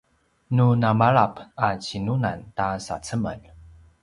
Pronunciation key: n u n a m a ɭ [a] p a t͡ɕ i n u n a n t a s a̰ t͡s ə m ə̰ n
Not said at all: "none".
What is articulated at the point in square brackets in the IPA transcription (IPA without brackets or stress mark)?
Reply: a